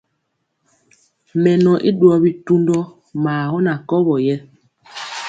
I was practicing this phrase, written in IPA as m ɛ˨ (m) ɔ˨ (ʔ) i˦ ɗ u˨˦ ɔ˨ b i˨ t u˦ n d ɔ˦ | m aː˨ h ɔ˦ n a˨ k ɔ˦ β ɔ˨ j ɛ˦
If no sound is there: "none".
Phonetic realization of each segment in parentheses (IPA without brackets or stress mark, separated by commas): n, ʔ